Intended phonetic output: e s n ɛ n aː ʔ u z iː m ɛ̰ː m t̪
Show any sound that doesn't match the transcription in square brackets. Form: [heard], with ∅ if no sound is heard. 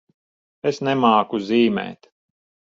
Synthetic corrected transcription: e s n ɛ [m] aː [k] u z iː m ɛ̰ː [∅] t̪